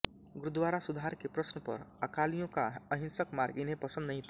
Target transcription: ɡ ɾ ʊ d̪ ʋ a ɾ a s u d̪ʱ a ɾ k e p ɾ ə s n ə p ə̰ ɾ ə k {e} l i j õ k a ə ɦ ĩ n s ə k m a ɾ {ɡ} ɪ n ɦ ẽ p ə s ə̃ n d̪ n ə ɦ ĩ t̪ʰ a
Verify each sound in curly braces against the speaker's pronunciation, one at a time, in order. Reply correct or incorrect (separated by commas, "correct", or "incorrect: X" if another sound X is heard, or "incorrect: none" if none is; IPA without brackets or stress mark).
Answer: incorrect: a, correct